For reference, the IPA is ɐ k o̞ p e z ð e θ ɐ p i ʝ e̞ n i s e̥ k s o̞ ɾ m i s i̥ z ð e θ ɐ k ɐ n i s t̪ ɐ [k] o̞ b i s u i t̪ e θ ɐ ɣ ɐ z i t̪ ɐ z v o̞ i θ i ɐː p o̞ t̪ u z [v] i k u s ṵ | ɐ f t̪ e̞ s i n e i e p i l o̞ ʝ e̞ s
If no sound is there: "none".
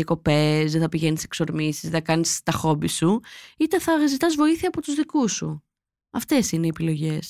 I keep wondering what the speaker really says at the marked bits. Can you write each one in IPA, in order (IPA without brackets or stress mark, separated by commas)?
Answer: x, ð